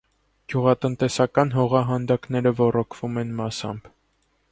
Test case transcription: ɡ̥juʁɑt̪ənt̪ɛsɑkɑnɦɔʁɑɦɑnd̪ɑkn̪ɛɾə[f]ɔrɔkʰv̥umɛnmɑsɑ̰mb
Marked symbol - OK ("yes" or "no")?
no